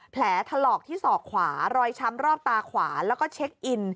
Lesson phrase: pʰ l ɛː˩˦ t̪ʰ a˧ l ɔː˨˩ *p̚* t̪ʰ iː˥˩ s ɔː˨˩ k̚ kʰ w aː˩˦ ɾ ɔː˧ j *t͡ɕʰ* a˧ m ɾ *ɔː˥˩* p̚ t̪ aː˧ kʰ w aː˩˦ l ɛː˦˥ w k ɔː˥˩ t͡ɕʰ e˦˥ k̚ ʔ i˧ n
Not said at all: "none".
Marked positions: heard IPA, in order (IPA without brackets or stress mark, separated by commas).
k̚, t͡ɕʰ, ɔː˥˩